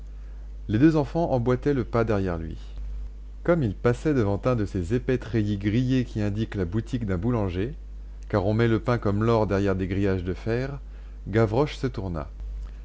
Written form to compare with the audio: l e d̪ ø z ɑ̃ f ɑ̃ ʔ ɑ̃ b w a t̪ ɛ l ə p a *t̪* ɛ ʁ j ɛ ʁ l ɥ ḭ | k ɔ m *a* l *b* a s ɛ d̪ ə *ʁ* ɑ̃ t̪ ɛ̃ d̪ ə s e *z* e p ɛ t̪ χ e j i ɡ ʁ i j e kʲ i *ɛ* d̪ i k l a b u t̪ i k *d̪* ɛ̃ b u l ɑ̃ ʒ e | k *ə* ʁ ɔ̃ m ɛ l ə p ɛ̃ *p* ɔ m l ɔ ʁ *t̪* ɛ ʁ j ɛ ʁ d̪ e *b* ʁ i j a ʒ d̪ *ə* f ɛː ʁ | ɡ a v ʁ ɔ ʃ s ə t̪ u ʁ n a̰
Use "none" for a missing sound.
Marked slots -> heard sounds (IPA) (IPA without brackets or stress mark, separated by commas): d̪, i, p, v, z, ɛ̃, d̪, a, k, d̪, ɡ, ə